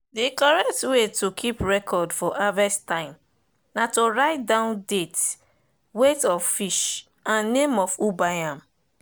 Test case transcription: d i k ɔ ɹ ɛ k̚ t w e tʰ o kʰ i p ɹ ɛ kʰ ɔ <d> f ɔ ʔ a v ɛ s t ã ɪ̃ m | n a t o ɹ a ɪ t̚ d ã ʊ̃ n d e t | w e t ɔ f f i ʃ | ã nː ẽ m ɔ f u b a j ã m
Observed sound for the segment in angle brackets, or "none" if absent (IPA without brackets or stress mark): d